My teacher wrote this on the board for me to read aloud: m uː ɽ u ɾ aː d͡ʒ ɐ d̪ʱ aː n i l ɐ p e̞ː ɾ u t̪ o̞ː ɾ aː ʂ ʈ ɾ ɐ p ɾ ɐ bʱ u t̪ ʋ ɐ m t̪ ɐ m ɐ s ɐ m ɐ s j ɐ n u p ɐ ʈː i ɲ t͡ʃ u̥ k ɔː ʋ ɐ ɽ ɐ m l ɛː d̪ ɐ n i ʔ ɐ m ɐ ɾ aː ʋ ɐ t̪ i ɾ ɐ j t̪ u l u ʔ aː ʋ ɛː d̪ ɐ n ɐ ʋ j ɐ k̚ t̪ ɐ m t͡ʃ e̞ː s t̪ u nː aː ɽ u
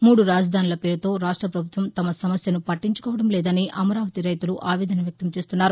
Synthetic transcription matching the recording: m uː ɽ u ɾ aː d͡ʒ ɐ d̪ʱ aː n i l ɐ p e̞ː ɾ u t̪ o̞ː ɾ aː ʂ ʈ ɾ ɐ p ɾ ɐ bʱ u t̪ ʋ ɐ m t̪ ɐ m ɐ s ɐ m ɐ s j ɐ n u p ɐ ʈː i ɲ t͡ʃ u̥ k ɔː ʋ ɐ ɽ ɐ m l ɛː d̪ ɐ n i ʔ ɐ m ɐ ɾ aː ʋ ɐ t̪ i ɾ ɐ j t̪ u l u ʔ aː ʋ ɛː d̪ ɐ n ɐ ʋ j ɐ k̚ t̪ ɐ m t͡ʃ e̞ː s t̪ u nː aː ɾ u